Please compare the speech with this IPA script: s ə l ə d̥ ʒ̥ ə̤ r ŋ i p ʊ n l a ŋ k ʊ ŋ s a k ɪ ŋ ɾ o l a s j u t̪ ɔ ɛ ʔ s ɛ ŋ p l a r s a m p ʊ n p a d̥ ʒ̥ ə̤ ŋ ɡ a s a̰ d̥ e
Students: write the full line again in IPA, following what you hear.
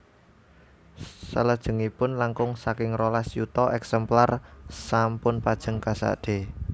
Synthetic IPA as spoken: s ə l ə d̥ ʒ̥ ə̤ ŋ i p ʊ n l a ŋ k ʊ ŋ s a k ɪ ŋ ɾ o l a s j u t̪ ɔ ɛ k s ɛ m p l a r s a m p ʊ n p a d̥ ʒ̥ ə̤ ŋ k a s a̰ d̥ e